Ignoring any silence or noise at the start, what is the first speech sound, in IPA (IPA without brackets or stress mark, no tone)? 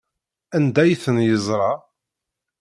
æ